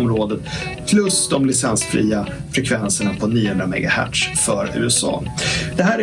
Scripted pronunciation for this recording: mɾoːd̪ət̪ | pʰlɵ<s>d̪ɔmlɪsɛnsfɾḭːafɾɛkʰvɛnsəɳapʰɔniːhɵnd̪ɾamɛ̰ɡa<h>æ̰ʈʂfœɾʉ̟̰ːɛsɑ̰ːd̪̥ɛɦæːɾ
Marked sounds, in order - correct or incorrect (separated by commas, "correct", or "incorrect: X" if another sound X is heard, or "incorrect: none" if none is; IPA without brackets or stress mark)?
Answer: correct, correct